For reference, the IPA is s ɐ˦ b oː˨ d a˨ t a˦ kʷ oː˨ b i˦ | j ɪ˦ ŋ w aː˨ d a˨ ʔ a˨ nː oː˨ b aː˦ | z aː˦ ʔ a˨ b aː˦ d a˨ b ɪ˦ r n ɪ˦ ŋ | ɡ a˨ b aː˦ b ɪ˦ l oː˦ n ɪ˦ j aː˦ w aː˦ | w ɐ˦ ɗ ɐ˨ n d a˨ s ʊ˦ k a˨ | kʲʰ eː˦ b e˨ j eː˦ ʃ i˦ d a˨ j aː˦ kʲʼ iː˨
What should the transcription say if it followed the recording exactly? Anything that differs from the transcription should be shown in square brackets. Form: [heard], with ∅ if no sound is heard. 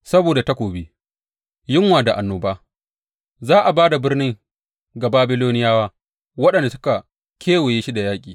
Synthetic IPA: s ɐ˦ b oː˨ d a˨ t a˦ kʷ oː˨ b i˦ | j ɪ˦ ŋ w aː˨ d a˨ ʔ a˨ nː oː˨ b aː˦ | z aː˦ ʔ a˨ b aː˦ d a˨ b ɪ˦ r n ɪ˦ ŋ | ɡ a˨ b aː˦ b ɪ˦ l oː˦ n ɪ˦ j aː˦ w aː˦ | w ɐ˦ ɗ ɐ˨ n d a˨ s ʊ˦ k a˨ | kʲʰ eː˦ [w] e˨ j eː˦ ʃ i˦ d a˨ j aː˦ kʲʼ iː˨